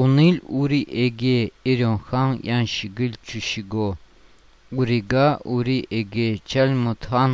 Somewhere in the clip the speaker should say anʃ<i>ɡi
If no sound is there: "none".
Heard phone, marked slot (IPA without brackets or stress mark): i